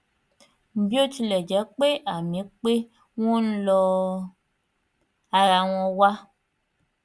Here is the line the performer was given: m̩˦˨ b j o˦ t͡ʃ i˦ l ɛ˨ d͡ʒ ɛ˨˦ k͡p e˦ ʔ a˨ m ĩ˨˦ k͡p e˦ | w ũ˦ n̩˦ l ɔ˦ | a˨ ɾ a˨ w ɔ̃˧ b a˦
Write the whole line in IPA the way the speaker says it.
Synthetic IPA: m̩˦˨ b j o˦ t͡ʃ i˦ l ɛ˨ d͡ʒ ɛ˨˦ k͡p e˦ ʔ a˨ m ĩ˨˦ k͡p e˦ | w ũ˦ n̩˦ l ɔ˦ | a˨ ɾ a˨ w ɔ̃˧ w a˦